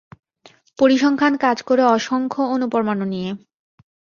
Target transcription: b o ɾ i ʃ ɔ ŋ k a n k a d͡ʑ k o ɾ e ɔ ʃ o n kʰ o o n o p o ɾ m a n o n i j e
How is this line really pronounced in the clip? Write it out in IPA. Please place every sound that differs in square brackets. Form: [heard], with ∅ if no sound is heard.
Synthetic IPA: [p] o ɾ i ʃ ɔ ŋ [kʰ] a n k a d͡ʑ k o ɾ e ɔ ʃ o [ŋ] kʰ o o n [u] p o ɾ m a n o n i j e